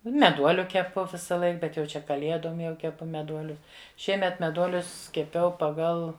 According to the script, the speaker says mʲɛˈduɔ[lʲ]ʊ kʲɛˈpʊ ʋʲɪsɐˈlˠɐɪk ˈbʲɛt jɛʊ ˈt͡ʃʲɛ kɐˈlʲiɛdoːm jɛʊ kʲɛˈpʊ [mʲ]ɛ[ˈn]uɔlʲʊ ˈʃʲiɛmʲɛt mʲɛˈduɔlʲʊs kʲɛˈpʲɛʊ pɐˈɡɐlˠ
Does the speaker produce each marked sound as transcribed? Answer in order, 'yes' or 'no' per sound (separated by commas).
yes, yes, no